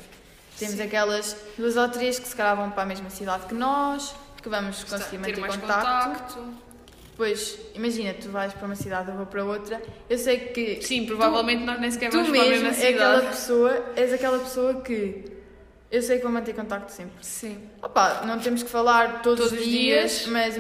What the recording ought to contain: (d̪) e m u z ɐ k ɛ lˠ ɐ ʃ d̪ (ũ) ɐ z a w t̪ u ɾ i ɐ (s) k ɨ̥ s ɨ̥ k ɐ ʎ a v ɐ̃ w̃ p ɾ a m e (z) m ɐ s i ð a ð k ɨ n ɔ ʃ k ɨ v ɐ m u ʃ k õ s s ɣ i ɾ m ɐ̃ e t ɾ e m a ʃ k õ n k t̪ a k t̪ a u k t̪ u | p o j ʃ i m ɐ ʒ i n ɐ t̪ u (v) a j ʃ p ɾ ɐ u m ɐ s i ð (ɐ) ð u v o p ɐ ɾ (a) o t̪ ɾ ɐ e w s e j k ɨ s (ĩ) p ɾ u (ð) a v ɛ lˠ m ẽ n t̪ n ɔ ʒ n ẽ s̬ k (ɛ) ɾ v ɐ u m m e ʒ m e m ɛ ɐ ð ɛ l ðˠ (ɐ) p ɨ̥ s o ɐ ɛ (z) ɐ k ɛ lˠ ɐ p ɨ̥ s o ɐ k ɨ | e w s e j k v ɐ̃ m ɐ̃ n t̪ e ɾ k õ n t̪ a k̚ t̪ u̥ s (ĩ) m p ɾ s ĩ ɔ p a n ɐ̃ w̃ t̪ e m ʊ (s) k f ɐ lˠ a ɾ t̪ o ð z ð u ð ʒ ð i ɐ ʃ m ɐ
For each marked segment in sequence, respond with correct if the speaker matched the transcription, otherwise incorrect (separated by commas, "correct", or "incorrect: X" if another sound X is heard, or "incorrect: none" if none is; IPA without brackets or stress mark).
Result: incorrect: t̪, incorrect: u, incorrect: ʃ, incorrect: ʒ, correct, incorrect: a, incorrect: ɐ, correct, incorrect: v, correct, correct, correct, incorrect: ẽ, incorrect: ʃ